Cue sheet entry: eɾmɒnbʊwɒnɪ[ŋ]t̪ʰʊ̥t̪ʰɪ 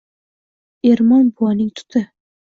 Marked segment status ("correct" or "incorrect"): correct